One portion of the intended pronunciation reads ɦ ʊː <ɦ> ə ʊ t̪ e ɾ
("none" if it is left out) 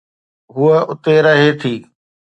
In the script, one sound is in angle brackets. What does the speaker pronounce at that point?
none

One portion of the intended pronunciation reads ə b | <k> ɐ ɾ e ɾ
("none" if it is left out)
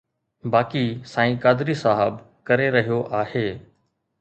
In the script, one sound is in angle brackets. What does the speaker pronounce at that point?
k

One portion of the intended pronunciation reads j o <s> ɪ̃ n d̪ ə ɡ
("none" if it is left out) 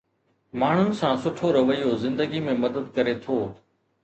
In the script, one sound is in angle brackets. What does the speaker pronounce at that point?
z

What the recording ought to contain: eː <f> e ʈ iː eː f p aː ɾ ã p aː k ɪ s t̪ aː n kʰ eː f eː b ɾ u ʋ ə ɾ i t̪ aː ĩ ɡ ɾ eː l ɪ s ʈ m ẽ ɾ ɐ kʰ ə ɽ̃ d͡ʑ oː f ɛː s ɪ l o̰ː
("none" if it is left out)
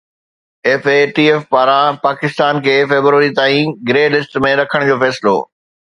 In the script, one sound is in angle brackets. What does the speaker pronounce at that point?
f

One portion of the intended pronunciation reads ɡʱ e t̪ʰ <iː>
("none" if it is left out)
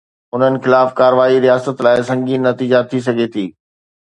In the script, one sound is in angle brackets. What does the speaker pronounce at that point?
iː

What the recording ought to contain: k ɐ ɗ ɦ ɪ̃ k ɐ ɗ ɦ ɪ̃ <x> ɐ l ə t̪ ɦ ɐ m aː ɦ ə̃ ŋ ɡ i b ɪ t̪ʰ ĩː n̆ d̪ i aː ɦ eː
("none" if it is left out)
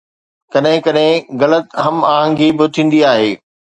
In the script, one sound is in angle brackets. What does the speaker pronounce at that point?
ɣ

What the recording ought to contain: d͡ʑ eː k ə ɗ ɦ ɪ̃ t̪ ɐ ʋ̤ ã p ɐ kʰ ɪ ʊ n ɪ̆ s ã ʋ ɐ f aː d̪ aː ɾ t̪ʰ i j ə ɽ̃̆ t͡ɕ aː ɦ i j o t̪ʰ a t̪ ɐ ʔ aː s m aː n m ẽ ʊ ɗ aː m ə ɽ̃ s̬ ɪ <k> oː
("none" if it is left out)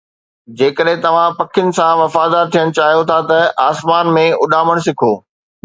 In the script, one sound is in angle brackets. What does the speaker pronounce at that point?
kʰ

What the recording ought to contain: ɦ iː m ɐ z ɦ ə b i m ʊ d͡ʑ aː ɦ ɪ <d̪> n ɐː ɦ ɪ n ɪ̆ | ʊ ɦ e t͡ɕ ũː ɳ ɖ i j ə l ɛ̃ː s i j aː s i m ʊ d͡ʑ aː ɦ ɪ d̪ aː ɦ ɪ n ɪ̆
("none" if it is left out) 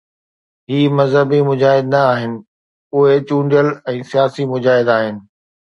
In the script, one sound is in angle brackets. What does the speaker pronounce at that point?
d̪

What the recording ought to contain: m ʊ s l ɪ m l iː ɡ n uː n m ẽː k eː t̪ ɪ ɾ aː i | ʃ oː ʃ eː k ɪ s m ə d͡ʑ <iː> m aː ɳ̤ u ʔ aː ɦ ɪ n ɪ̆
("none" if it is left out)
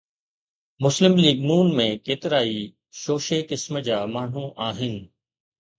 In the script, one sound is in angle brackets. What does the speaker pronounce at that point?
aː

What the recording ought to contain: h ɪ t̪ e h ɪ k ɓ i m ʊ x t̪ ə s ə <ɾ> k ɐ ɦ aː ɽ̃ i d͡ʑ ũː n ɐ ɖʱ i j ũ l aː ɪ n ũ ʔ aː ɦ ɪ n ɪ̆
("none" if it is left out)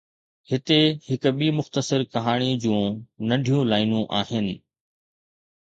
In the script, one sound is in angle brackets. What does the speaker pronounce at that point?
ɾ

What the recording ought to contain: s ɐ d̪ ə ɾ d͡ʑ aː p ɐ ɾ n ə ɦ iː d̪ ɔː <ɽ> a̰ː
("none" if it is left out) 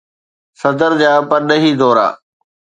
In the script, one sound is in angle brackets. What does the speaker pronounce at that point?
ɾ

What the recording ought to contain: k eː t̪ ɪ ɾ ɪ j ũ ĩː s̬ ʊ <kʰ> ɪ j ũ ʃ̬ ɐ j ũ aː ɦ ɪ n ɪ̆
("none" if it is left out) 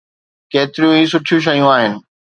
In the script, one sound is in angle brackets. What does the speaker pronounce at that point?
ʈʰ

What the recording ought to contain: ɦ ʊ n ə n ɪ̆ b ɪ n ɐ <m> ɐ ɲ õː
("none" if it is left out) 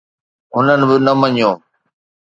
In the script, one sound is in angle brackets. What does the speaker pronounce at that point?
m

